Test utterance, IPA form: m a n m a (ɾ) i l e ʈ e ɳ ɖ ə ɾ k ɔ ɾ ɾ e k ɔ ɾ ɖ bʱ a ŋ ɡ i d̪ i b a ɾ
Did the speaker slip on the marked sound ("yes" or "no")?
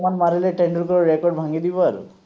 no